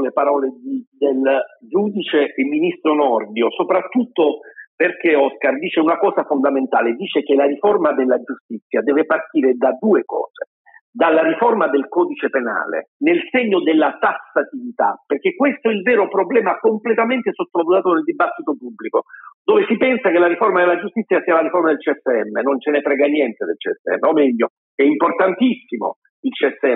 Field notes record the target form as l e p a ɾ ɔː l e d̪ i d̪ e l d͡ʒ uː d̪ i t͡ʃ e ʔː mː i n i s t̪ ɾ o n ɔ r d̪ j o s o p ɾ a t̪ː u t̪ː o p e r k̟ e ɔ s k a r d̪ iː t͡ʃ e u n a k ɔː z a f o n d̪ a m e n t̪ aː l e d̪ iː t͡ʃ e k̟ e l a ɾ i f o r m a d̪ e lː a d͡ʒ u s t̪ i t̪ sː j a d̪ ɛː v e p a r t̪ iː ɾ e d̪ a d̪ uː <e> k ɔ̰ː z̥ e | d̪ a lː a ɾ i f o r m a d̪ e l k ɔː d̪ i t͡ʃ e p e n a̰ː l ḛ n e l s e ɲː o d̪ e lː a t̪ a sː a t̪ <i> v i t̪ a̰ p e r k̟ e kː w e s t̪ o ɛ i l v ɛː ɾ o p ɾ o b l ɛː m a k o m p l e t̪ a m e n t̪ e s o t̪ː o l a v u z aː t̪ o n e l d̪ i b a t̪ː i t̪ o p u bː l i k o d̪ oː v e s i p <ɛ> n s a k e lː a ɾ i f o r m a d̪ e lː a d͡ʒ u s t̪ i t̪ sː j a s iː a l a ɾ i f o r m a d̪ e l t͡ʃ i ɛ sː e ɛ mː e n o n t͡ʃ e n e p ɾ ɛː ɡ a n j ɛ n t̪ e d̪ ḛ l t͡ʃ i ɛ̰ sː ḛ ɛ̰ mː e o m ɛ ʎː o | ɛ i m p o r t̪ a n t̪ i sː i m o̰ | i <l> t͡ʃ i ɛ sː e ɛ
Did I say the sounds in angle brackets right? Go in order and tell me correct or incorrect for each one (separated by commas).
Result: correct, correct, correct, correct